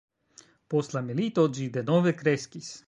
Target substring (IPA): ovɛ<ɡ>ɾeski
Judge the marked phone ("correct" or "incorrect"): incorrect